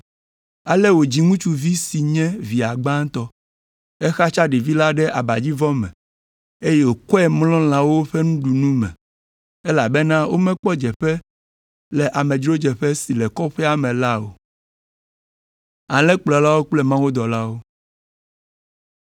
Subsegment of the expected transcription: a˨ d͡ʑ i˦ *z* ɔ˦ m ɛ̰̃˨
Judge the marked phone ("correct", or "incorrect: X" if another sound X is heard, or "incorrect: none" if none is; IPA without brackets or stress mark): incorrect: v